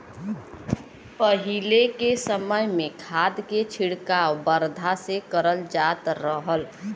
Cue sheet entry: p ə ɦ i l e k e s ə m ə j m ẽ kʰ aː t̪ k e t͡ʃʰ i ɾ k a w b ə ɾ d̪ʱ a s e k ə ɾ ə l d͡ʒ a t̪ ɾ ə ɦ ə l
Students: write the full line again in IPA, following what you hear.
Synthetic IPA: p ə ɦ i l e k e s ə m ə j m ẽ kʰ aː d̪ k e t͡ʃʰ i ɽ k a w b ə ɾ d̪ʱ a s e k ə ɾ ə l d͡ʒ a t̪ ɾ ə ɦ ə l